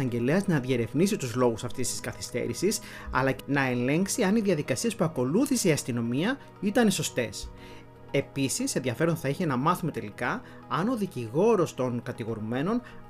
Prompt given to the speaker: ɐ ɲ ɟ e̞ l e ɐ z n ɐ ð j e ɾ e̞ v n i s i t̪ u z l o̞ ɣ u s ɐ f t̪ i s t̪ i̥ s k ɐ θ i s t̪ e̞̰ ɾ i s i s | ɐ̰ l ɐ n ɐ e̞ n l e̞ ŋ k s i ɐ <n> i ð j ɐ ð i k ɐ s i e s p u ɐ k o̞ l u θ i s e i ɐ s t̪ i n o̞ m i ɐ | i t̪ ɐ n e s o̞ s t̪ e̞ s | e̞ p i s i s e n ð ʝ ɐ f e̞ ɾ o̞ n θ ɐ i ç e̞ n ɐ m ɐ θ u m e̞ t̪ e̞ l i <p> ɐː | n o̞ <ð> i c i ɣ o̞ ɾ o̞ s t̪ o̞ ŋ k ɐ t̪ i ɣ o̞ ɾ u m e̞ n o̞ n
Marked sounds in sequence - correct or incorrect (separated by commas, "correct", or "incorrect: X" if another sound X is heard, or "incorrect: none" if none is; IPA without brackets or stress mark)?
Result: correct, incorrect: k, correct